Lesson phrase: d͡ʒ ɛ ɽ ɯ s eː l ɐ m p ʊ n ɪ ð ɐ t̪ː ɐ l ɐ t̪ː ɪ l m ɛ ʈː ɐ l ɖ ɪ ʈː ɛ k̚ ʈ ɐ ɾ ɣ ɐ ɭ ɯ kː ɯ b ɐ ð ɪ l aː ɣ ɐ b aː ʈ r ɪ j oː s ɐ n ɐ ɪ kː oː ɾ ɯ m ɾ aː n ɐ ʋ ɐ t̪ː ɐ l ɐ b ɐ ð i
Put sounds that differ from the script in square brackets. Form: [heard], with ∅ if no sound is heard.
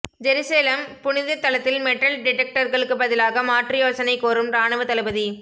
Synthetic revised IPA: d͡ʒ ɛ [ɾ] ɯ s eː l ɐ m p ʊ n ɪ ð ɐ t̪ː ɐ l ɐ t̪ː ɪ l m ɛ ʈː ɐ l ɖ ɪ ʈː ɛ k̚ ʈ ɐ ɾ ɣ ɐ ɭ ɯ kː ɯ b ɐ ð ɪ l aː ɣ ɐ [m] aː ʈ r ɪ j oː s ɐ n ɐ ɪ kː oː ɾ ɯ m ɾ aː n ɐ ʋ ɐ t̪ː ɐ l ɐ b ɐ ð i